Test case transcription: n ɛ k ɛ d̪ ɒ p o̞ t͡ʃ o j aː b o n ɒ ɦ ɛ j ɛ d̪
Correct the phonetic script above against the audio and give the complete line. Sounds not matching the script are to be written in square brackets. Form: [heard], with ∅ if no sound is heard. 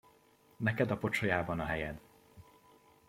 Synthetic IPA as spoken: n ɛ k ɛ d̪ ɒ p o̞ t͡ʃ o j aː b [ɒ] n ɒ ɦ ɛ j ɛ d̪